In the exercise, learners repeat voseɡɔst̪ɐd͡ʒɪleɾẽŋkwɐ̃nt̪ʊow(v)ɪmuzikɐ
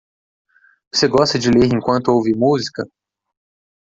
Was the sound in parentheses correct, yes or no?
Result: yes